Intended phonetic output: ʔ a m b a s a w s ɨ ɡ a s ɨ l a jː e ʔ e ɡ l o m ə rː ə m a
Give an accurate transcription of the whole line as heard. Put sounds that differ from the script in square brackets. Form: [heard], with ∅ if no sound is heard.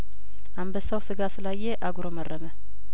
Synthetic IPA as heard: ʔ a m b [ə] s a w s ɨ ɡ a s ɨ l a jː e ʔ [a] ɡ [ɾ] o m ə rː ə m [ə]